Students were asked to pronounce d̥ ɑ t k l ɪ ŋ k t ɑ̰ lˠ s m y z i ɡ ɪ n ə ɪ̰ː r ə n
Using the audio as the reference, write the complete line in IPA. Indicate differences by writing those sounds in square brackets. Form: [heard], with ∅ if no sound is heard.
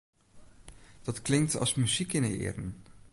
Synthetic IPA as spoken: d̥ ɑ t k l ɪ ŋ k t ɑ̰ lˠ s m y z i [k] ɪ n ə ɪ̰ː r ə n